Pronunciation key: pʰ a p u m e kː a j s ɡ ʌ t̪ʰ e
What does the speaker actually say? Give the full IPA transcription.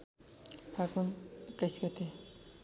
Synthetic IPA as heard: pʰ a k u n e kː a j s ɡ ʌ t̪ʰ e